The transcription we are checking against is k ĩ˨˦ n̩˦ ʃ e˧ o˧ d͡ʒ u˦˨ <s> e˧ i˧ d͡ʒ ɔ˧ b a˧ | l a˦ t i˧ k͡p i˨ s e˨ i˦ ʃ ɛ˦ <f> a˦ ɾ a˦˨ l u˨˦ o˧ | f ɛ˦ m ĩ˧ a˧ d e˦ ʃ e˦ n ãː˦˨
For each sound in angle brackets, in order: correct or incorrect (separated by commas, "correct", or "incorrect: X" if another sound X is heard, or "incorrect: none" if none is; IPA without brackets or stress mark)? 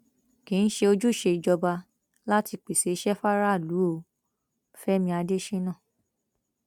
incorrect: ʃ, correct